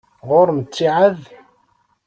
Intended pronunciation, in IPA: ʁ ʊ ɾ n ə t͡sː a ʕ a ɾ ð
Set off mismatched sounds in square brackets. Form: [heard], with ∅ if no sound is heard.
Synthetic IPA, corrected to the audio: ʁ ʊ ɾ [m] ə t͡sː [i] ʕ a [∅] ð